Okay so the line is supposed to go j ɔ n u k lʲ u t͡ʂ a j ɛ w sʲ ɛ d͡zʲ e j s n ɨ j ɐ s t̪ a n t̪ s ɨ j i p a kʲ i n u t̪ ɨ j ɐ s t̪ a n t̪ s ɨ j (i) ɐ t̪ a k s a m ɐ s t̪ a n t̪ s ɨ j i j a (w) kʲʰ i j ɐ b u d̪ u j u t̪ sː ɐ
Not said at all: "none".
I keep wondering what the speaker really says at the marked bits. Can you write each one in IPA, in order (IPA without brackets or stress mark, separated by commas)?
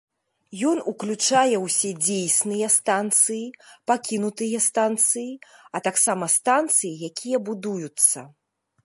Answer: i, none